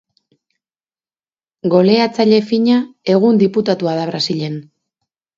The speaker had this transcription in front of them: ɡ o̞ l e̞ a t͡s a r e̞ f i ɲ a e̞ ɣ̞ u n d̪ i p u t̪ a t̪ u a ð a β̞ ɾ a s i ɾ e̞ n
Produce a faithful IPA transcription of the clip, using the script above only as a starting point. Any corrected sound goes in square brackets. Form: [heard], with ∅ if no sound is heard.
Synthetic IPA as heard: ɡ o̞ l e̞ a t͡s a [ʎ] e̞ f i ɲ a e̞ ɣ̞ u n d̪ i p u t̪ a t̪ u a ð a β̞ ɾ a s i [ʎ] e̞ n